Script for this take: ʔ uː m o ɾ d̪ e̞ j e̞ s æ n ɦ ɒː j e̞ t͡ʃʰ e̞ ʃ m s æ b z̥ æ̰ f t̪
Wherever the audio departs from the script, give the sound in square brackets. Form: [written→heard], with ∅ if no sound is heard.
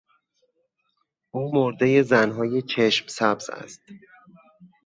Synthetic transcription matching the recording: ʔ uː m o ɾ d̪ e̞ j e̞ [s→z] æ n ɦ ɒː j e̞ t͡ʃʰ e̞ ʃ m s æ b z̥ æ̰ [f→s] t̪